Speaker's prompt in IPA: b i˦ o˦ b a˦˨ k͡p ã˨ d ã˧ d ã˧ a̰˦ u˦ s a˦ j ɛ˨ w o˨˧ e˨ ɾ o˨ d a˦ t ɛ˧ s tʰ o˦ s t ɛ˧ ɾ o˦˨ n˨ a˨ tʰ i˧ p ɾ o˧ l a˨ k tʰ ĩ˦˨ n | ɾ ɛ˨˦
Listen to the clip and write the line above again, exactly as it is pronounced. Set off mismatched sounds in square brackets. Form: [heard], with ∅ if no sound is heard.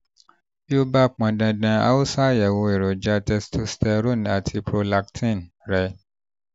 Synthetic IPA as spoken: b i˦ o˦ b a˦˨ k͡p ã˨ d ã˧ d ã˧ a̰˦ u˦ s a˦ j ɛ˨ w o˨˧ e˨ ɾ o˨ [d͡ʒ] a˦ t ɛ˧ s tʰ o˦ s t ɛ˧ ɾ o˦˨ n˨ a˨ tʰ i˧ p ɾ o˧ l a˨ k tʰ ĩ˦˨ n | ɾ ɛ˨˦